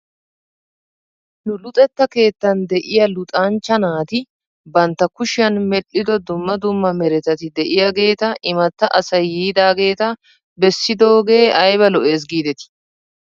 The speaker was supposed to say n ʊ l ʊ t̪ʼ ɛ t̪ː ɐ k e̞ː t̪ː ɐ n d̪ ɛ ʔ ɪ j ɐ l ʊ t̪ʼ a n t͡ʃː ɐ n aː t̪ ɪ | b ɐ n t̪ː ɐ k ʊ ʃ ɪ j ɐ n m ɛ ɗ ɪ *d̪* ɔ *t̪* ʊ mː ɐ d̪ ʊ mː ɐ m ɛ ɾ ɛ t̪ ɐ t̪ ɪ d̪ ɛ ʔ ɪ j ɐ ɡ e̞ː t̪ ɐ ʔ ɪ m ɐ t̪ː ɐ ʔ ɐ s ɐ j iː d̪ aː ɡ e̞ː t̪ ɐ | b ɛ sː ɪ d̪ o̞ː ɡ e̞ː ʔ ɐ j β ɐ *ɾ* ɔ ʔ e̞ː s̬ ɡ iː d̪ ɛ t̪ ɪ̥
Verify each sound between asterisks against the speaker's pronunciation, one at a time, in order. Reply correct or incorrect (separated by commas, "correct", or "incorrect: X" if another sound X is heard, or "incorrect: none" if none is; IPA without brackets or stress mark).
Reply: correct, incorrect: d̪, incorrect: l